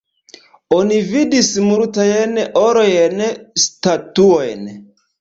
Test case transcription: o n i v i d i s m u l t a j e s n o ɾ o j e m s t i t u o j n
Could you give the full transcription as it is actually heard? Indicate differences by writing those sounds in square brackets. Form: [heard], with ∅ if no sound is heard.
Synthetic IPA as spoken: o n i v i d i s m u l t a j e [∅] n o ɾ o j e [n] s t [a] t u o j n